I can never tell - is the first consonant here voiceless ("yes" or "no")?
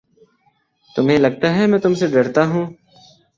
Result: yes